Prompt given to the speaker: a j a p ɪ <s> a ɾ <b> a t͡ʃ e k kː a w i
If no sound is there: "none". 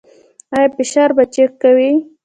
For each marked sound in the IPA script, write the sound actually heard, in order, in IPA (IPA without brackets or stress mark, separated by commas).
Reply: ʃ, b